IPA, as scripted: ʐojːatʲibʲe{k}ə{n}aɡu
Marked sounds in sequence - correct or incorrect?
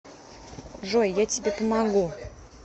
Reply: incorrect: p, incorrect: m

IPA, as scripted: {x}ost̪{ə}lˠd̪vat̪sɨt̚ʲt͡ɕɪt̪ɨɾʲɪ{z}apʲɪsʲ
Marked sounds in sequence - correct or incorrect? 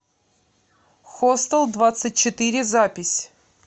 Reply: correct, correct, correct

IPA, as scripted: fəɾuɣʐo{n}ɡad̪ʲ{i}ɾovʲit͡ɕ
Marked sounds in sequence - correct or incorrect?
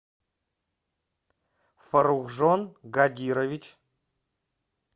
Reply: correct, correct

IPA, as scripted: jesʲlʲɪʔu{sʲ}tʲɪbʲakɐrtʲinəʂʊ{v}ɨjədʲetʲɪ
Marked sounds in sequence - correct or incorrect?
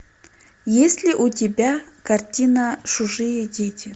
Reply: incorrect: none, incorrect: ʐ

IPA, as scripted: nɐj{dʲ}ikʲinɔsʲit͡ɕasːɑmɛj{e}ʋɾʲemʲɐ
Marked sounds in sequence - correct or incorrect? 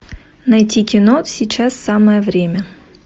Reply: incorrect: tʲ, incorrect: ɛ

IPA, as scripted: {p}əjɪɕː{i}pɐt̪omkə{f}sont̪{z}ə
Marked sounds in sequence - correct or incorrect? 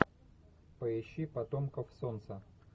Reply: correct, correct, correct, incorrect: s

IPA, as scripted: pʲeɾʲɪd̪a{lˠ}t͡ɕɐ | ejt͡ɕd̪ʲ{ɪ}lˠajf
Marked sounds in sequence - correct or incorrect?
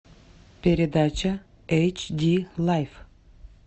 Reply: incorrect: none, incorrect: i

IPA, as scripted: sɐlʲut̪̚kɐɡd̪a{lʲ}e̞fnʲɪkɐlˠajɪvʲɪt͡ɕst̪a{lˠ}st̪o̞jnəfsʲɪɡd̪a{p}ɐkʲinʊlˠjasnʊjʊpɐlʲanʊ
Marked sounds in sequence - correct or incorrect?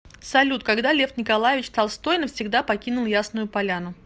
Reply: correct, correct, correct

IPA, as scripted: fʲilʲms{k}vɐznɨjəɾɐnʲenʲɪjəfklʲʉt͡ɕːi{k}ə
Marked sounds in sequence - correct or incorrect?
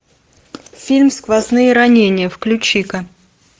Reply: correct, correct

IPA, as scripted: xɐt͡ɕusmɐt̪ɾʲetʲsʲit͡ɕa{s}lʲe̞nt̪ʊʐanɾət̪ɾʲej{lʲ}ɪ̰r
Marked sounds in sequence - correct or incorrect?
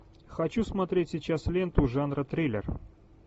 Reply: correct, correct

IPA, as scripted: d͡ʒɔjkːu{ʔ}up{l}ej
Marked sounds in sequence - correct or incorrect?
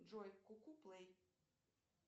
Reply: incorrect: k, correct

